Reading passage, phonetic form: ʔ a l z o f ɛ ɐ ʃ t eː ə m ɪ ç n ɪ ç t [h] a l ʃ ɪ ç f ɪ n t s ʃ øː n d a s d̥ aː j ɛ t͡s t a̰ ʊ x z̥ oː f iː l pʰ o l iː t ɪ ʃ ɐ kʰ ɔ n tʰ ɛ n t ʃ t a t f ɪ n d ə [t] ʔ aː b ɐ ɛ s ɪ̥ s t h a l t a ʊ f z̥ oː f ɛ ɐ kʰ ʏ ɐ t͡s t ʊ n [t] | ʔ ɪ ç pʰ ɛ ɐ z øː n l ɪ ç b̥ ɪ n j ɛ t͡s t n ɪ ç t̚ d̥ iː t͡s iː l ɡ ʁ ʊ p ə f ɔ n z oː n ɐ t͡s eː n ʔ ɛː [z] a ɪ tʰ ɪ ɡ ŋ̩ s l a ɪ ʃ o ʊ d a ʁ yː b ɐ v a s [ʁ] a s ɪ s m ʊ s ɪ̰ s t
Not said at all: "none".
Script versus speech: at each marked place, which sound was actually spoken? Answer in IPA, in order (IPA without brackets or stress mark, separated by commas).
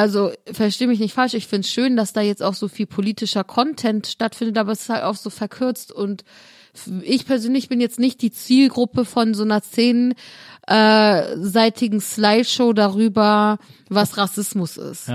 f, t, t, z, ʁ